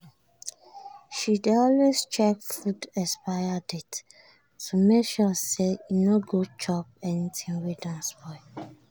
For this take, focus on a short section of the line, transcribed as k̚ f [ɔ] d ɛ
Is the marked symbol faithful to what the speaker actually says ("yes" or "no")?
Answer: no